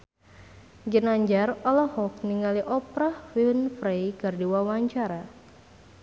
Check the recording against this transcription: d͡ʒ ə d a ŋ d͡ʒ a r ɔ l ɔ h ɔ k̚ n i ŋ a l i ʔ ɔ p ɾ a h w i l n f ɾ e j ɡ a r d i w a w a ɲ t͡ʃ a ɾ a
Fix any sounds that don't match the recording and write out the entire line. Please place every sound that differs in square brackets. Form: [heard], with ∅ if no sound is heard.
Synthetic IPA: d͡ʒ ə [n] a [ɲ] d͡ʒ a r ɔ l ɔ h ɔ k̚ n i ŋ a l i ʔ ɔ p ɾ a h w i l n f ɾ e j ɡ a r d i w a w a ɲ t͡ʃ a ɾ a